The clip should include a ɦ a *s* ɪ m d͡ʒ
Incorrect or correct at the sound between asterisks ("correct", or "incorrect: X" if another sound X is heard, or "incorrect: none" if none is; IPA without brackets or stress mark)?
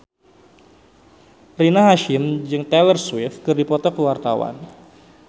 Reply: incorrect: ʃ